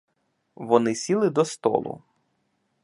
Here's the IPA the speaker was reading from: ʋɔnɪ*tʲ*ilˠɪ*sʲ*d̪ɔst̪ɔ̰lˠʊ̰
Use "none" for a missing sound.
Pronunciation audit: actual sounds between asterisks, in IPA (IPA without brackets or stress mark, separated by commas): sʲ, none